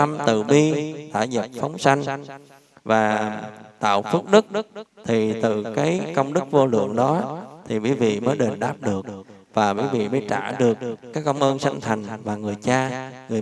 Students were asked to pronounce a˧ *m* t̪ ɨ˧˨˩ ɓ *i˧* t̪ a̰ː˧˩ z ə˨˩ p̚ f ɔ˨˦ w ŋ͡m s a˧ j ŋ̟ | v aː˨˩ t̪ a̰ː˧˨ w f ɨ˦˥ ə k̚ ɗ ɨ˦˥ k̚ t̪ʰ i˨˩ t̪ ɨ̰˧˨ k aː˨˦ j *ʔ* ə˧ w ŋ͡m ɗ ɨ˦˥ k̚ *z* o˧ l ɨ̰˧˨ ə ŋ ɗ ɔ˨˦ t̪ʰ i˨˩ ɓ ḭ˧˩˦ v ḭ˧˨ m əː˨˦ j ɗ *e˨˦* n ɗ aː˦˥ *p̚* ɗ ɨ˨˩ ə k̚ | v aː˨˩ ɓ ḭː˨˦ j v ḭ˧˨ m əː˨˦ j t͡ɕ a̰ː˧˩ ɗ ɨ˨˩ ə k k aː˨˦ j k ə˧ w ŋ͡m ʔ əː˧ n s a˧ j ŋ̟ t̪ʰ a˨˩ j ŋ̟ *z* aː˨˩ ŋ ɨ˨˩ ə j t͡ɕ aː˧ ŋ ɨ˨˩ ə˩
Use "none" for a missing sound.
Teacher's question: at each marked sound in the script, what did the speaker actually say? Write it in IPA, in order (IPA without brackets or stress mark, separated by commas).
m, i˧, k, v, e˨˩, p̚, v